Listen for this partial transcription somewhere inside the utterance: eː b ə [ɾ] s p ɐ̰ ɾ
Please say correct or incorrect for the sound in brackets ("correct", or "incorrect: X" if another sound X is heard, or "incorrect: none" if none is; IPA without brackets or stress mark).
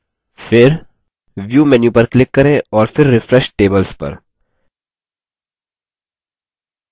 incorrect: l